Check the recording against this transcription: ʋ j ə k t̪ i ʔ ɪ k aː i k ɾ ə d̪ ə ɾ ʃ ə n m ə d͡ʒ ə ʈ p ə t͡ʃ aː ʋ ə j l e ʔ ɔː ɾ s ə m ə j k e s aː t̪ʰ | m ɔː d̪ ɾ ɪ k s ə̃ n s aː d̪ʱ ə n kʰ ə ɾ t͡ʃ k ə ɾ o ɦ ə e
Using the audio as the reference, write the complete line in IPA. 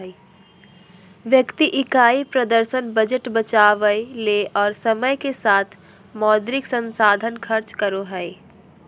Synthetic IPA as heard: ʋ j ə k t̪ i ʔ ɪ k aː i p ɾ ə d̪ ə ɾ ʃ ə n b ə d͡ʒ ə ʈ b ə t͡ʃ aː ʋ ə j l e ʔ ɔː ɾ s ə m ə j k e s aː t̪ʰ | m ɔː d̪ ɾ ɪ k s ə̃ n s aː d̪ʱ ə n kʰ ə ɾ t͡ʃ k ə ɾ o ɦ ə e